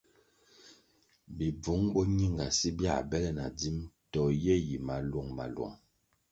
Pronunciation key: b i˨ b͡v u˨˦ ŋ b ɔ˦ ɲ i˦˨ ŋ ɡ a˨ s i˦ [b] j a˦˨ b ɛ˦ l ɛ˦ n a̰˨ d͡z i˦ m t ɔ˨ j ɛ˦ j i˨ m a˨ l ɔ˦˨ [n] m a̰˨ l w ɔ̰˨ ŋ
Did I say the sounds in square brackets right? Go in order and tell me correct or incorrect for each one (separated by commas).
correct, incorrect